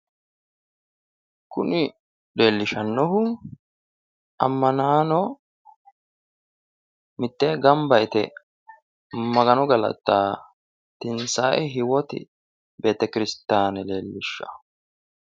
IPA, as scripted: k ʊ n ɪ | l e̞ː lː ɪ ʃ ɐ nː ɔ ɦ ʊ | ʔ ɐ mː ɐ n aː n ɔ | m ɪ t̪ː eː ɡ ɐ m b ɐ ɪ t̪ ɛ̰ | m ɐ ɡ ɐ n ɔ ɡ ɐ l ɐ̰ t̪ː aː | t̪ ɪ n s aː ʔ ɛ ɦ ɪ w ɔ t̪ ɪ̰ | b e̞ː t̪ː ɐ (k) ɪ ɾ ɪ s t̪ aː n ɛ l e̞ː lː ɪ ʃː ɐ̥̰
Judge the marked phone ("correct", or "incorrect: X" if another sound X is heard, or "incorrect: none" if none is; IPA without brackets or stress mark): correct